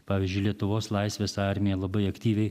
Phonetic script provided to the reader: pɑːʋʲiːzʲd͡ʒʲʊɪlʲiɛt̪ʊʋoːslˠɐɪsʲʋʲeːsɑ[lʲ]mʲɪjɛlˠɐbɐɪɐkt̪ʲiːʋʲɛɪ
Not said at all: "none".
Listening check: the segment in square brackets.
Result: ɾʲ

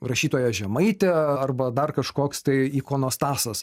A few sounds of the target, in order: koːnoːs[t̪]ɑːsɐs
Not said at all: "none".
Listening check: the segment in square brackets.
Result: t̪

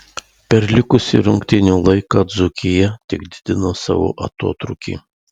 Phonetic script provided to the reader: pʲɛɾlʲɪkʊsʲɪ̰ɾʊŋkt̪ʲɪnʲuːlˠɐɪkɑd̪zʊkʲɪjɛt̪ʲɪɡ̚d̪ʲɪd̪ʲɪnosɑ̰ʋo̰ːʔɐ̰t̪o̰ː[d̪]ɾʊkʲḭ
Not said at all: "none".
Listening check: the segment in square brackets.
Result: t̪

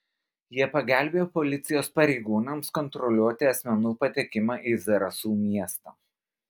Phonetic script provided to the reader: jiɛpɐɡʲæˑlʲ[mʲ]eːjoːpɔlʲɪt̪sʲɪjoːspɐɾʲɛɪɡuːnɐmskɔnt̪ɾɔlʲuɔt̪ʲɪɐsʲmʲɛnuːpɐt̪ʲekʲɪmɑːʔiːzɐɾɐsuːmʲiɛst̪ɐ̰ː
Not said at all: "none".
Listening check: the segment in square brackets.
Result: bʲ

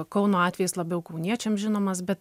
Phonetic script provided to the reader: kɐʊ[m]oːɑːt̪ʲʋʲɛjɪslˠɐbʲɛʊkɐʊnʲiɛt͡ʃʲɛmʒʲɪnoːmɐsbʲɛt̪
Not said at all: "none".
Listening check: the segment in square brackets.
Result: n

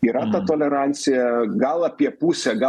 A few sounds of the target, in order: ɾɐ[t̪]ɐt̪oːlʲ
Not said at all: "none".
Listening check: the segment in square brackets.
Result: t̪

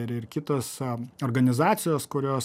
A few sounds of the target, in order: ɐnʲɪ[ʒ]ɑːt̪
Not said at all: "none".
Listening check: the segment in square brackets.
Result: z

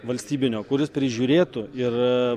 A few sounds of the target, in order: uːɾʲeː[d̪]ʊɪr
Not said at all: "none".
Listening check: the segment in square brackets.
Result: t̪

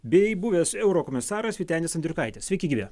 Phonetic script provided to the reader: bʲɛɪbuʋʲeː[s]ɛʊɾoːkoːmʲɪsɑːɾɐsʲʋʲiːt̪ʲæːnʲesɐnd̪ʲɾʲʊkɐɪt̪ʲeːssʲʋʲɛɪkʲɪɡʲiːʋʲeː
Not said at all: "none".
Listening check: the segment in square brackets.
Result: s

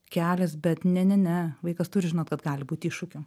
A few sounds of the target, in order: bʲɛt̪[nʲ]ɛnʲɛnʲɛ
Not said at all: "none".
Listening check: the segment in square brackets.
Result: nʲ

